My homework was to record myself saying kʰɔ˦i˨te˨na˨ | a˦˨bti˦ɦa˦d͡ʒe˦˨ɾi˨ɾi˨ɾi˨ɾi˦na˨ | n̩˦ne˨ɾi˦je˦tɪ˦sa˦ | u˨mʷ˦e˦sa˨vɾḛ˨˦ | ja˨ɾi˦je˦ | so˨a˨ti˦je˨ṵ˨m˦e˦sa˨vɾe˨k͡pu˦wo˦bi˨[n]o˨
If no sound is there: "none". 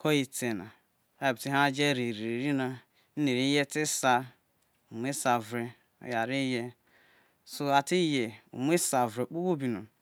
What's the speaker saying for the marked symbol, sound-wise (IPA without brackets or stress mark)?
n